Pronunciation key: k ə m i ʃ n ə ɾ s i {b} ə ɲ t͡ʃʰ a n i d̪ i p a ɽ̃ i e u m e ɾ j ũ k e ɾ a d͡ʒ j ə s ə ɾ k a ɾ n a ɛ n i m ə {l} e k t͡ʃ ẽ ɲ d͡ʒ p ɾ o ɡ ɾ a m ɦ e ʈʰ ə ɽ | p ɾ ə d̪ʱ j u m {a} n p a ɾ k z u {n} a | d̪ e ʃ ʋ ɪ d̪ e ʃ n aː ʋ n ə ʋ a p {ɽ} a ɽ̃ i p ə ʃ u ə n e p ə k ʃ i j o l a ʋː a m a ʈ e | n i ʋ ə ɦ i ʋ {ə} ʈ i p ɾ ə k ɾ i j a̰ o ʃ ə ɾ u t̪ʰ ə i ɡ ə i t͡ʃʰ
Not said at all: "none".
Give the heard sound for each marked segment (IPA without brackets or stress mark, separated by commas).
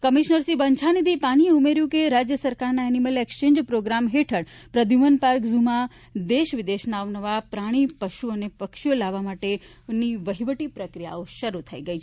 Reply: b, l, ə, m, ɾ, ə